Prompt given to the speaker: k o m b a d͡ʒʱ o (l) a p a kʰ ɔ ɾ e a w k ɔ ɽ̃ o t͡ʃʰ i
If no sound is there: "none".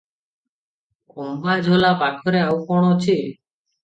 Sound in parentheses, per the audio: l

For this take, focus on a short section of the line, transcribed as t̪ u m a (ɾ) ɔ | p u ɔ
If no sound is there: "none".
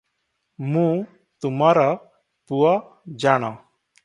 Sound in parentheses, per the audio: ɾ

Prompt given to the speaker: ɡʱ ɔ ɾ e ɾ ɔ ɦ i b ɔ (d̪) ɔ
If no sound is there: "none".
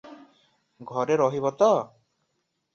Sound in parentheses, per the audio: t̪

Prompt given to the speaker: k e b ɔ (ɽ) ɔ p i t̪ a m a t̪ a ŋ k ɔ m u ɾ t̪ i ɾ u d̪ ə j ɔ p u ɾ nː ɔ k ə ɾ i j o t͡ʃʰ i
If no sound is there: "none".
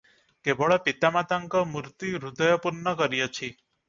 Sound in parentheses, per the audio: ɭ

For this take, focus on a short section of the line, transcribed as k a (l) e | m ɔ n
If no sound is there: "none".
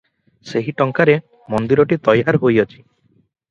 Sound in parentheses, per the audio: ɾ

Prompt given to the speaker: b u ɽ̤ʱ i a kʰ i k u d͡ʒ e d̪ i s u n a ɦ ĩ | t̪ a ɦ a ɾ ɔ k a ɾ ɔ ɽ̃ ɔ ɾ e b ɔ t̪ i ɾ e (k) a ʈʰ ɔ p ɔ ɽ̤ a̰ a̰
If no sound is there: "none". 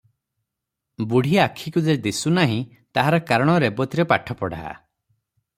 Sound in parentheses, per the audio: p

